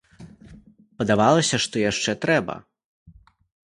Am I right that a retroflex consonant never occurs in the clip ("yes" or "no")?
no